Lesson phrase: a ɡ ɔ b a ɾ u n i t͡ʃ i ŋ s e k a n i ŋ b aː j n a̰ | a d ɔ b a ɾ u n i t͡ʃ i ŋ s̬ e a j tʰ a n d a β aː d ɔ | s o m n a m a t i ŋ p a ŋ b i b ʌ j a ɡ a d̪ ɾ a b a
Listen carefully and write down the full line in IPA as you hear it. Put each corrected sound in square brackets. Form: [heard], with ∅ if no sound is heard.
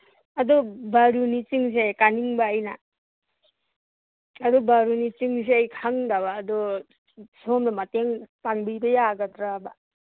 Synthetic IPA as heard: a [d] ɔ b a ɾ u n i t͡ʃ i ŋ s e k a n i ŋ b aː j n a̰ | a d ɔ b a ɾ u n i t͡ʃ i ŋ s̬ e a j [kʰ] a [ŋ] d a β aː d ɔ | s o m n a m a t [e] ŋ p a ŋ b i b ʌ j a ɡ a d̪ ɾ a b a